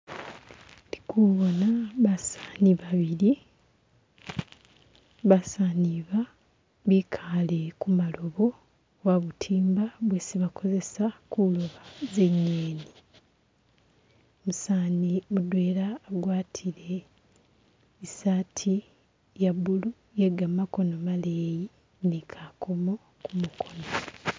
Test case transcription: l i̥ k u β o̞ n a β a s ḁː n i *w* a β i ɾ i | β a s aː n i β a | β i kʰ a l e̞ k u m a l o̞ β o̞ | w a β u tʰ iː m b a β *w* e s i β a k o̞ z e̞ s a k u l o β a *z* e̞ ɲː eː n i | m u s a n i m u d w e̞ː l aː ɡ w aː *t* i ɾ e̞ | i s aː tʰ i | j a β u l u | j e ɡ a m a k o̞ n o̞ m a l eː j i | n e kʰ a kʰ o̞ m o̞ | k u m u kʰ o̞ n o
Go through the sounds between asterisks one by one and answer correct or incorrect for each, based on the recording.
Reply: incorrect: β, correct, correct, incorrect: tʰ

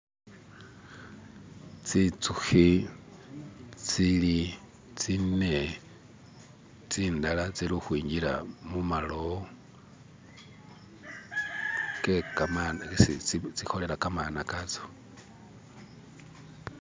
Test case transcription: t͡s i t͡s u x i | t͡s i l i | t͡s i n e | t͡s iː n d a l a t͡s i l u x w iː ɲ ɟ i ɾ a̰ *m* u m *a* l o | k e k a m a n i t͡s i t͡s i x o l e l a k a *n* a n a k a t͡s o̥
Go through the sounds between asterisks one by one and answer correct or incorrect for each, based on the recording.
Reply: correct, correct, incorrect: m

